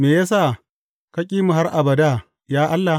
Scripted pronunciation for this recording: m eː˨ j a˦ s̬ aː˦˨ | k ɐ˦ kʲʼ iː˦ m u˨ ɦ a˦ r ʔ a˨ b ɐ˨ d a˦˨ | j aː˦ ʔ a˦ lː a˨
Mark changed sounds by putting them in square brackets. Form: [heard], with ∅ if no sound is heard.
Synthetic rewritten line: m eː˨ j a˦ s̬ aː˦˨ | k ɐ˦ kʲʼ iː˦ m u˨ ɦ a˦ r ʔ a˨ b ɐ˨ d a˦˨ | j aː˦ ʔ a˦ lː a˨